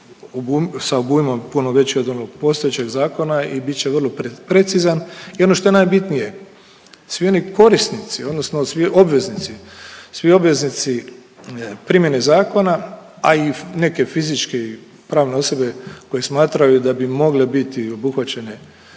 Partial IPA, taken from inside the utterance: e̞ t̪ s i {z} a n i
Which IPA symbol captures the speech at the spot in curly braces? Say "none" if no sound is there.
z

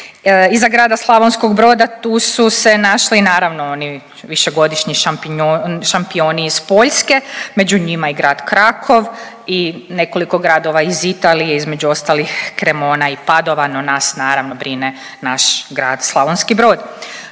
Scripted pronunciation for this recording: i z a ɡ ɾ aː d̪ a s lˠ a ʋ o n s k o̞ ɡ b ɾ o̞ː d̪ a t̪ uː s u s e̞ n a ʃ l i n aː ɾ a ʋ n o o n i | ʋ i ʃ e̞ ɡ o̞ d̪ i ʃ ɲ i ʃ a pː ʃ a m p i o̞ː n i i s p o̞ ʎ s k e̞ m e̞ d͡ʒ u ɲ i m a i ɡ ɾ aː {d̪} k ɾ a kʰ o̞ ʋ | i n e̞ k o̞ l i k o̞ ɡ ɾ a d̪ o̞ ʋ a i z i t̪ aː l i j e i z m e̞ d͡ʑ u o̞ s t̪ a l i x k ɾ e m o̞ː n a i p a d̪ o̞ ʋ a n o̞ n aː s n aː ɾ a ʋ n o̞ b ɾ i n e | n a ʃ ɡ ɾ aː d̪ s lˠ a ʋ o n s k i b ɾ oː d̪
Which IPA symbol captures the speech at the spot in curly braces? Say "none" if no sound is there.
d̪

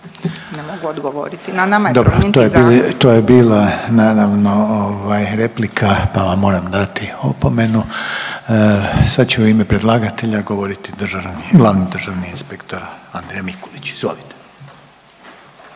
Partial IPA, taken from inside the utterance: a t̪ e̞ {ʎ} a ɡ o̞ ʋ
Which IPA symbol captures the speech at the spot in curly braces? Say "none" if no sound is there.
ʎ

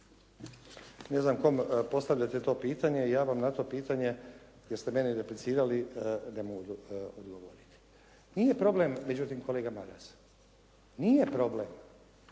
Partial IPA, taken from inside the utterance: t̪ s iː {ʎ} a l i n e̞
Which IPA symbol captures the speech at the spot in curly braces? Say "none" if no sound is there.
ɾ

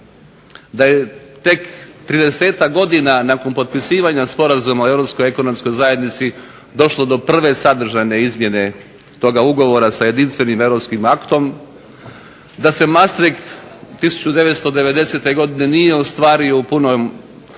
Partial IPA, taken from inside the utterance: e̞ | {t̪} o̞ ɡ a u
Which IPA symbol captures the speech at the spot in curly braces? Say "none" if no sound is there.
t̪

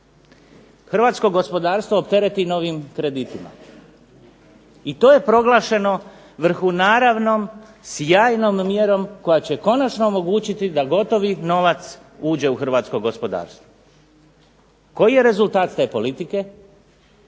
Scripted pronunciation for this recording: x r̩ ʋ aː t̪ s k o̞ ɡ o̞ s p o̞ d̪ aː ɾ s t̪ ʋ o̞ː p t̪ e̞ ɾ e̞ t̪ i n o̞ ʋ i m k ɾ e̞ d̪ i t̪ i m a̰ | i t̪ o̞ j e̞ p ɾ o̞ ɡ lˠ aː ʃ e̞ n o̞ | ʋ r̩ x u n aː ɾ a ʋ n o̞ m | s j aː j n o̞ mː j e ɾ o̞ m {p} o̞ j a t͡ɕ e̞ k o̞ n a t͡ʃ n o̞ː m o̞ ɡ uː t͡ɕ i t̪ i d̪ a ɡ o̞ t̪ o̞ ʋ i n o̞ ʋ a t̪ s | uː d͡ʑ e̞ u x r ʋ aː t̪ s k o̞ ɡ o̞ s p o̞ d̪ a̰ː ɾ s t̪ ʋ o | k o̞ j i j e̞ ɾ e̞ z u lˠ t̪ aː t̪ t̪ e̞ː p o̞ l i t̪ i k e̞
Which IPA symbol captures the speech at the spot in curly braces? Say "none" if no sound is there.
k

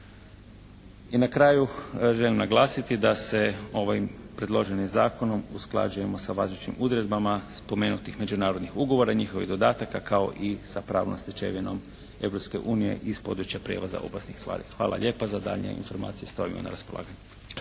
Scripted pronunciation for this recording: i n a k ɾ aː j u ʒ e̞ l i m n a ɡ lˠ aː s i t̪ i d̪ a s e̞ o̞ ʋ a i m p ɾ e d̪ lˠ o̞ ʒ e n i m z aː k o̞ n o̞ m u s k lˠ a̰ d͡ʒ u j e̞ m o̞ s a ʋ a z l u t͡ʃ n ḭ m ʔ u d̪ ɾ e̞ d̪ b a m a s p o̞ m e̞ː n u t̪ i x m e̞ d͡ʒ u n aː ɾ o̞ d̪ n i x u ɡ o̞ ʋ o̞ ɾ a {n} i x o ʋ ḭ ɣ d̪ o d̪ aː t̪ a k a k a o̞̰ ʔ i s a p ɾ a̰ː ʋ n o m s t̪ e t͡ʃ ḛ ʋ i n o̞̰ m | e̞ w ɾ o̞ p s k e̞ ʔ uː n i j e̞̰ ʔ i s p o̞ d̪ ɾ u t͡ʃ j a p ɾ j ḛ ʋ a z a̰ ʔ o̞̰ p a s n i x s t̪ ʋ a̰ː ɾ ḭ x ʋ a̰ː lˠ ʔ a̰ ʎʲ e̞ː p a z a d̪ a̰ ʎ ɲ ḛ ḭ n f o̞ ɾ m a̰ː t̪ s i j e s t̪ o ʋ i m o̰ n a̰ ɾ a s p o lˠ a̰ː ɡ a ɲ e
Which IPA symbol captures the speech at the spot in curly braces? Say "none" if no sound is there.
ɲ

